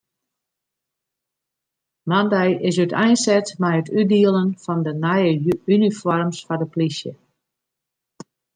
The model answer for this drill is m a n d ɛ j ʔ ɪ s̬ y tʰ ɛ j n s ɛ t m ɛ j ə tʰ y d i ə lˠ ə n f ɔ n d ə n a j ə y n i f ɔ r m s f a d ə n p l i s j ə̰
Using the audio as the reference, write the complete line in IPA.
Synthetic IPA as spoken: m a n d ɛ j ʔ ɪ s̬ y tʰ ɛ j n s ɛ t m ɛ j ə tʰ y d i ə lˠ ə n f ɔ n d ə n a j ə y n i f ɔ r m s f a d ə p l i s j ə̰